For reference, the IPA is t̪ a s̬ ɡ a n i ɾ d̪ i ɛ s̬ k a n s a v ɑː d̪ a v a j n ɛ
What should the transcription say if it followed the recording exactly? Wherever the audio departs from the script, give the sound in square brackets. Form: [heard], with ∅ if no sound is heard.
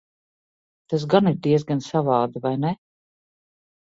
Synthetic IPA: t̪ a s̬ ɡ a n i ɾ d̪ i ɛ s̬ [ɡ] a n s a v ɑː d̪ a v a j n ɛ